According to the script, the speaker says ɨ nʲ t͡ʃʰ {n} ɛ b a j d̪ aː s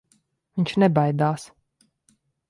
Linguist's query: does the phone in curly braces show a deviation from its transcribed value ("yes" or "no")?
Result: no